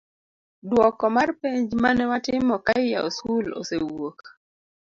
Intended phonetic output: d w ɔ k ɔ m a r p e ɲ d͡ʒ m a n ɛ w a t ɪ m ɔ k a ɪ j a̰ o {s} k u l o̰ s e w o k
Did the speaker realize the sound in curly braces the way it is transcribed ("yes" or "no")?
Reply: yes